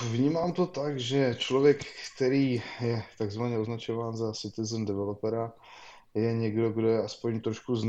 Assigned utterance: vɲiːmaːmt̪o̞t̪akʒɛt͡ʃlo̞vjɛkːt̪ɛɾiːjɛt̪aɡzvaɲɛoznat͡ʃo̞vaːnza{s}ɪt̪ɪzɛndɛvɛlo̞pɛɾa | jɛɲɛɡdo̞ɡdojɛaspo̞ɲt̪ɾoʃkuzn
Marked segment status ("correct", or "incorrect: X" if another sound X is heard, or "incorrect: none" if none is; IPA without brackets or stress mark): correct